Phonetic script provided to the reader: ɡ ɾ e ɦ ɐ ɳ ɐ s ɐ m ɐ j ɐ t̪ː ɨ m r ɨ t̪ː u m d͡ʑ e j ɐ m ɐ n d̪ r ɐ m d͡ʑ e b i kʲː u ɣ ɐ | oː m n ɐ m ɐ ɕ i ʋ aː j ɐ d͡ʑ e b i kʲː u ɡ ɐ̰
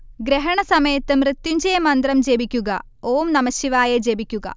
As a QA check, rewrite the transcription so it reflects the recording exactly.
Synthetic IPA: ɡ ɾ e ɦ ɐ ɳ ɐ s ɐ m ɐ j ɐ t̪ː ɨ m r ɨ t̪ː u ɲ d͡ʑ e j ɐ m ɐ n d̪ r ɐ m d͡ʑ e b i kʲː u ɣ ɐ | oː m n ɐ m ɐ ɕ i ʋ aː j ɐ d͡ʑ e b i kʲː u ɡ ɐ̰